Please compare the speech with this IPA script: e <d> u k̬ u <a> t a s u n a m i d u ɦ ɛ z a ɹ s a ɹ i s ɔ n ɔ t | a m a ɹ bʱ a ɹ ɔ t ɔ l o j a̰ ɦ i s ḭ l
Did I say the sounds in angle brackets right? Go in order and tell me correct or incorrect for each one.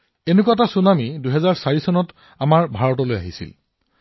incorrect: n, correct

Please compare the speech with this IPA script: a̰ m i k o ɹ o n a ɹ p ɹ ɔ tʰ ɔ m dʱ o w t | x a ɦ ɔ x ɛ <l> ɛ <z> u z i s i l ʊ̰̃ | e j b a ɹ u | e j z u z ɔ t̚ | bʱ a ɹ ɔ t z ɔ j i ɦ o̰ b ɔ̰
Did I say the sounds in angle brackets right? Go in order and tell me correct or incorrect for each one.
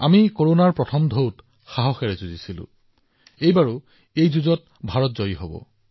incorrect: ɹ, correct

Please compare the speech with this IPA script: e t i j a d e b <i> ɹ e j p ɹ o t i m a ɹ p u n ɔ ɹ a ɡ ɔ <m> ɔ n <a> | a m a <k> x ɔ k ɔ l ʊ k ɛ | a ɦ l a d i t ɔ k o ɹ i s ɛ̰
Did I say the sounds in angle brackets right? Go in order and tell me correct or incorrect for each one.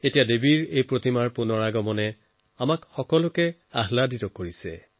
correct, correct, incorrect: ɛ, correct

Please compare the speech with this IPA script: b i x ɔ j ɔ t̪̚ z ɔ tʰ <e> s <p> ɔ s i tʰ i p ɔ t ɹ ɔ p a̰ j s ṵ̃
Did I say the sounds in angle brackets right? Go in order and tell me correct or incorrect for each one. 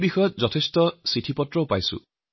correct, incorrect: t

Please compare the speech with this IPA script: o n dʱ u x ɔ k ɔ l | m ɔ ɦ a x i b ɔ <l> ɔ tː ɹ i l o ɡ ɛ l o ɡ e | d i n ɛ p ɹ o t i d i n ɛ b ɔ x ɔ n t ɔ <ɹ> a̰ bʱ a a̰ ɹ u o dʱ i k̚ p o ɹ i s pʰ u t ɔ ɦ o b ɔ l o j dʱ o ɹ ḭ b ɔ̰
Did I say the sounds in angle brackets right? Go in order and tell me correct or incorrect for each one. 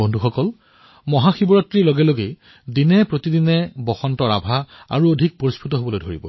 incorrect: ɹ, correct

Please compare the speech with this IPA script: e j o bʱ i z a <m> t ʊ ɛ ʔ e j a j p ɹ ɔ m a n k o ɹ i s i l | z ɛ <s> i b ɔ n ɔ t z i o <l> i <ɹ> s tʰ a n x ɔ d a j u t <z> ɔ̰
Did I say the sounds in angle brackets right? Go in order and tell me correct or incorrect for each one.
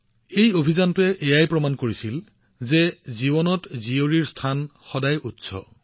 incorrect: n, incorrect: z, incorrect: ɹ, correct, incorrect: s

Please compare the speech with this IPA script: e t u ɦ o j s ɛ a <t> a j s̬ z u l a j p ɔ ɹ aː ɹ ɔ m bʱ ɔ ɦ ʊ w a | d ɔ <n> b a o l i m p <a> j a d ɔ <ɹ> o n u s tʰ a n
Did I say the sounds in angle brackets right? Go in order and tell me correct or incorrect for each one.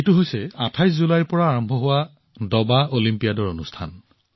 incorrect: tʰ, incorrect: none, incorrect: i, correct

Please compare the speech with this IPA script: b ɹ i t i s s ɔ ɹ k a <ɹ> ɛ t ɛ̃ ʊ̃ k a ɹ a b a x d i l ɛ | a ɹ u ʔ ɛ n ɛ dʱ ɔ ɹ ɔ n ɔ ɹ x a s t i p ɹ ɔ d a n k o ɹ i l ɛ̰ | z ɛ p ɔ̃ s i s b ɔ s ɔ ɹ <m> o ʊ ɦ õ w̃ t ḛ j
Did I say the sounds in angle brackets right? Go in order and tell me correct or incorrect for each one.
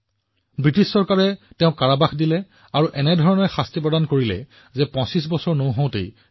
correct, incorrect: n

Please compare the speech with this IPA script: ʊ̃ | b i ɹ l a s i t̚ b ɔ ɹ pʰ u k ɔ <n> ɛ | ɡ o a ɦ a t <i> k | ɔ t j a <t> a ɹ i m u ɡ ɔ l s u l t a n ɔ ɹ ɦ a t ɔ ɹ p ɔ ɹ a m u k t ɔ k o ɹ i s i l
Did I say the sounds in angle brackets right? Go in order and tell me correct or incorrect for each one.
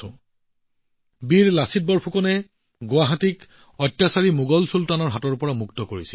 correct, correct, incorrect: s

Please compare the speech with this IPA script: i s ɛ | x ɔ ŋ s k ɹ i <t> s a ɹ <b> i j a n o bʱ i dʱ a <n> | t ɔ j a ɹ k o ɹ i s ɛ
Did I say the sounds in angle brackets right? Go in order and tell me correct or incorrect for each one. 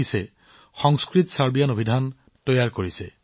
correct, correct, correct

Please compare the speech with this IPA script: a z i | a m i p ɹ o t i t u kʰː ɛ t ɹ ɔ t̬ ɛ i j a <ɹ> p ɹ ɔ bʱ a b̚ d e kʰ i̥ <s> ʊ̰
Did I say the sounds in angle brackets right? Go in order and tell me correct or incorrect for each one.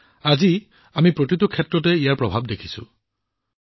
correct, correct

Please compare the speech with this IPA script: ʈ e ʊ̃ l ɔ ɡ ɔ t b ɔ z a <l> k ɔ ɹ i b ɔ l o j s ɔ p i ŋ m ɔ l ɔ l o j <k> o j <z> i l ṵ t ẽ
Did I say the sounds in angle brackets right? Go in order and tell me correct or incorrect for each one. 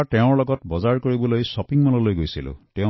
incorrect: ɹ, incorrect: ɡ, incorrect: s

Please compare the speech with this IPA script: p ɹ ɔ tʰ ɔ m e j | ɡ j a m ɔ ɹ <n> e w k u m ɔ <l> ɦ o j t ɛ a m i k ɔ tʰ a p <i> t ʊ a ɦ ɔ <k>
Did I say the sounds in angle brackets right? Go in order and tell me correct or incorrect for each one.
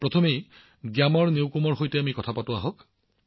correct, incorrect: ɹ, incorrect: a, correct

